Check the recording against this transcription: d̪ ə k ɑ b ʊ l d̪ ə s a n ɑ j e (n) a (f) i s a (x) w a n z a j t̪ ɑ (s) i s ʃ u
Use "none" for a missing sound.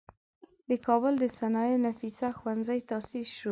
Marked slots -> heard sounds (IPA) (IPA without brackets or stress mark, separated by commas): n, f, x, s